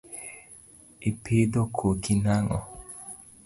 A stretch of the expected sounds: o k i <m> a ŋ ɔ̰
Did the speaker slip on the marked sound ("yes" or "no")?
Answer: yes